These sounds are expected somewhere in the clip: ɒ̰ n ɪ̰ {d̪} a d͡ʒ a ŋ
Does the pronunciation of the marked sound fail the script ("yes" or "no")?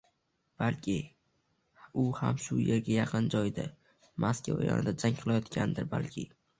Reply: no